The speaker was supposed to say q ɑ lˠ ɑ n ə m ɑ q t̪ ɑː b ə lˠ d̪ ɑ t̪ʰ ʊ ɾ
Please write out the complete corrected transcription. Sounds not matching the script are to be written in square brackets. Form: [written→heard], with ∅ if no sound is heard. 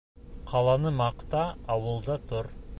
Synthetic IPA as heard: [q→qʰ] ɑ lˠ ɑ n ə m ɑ q t̪ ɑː [b→w] ə lˠ d̪ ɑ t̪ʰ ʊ ɾ